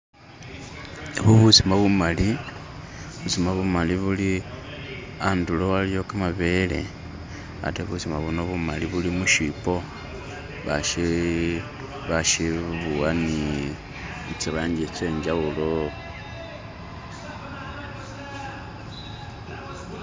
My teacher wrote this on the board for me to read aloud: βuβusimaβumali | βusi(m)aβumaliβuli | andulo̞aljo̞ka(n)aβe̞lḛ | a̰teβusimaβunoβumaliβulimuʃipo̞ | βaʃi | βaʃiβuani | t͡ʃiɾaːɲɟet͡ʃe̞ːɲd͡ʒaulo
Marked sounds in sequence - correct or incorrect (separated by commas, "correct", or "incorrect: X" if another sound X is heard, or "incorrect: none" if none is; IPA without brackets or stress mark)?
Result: correct, incorrect: m